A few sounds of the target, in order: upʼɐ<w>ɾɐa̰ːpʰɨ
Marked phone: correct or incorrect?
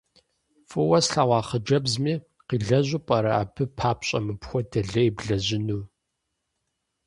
incorrect